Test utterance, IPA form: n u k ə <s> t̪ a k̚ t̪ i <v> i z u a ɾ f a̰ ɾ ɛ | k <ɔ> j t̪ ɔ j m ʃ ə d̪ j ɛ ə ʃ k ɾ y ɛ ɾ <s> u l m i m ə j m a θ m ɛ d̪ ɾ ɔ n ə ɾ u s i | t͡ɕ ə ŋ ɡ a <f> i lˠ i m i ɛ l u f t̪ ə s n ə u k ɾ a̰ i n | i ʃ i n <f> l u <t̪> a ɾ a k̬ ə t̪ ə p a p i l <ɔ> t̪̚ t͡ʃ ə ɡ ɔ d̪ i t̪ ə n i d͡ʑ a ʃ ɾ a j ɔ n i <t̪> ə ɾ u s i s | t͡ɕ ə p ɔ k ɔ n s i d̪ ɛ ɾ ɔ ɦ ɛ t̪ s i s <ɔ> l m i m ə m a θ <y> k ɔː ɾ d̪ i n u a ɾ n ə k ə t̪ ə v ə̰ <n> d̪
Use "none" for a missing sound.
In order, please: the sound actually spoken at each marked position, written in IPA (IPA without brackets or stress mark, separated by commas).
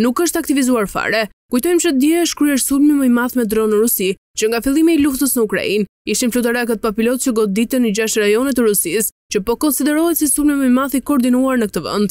ʃ, v, u, s, f, f, t̪, ɔ, t̪, u, i, n